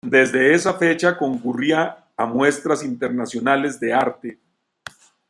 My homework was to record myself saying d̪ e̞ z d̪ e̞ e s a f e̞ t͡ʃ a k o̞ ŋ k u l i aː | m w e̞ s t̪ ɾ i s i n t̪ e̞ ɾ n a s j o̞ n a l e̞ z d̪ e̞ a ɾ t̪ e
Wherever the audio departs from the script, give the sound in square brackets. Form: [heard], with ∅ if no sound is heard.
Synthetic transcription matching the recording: d̪ e̞ z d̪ e̞ e s a f e̞ t͡ʃ a k o̞ ŋ k u [r] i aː | m w e̞ s t̪ ɾ [a] s i n t̪ e̞ ɾ n a s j o̞ n a l e̞ z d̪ e̞ a ɾ t̪ e